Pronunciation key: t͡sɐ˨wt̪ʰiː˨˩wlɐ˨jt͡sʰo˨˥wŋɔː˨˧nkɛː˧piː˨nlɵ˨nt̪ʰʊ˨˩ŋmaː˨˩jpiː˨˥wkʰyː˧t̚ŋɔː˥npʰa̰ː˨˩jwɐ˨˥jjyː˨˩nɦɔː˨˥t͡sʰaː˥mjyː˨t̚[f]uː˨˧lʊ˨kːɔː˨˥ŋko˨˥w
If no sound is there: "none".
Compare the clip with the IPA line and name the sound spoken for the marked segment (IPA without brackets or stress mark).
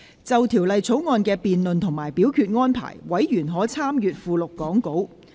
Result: f